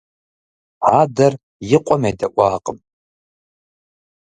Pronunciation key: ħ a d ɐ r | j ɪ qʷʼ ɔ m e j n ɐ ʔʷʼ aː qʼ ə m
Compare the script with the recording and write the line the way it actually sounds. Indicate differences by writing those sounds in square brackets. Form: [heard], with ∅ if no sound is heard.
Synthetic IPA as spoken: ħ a d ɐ r | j ɪ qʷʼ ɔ m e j [d] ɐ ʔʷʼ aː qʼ ə m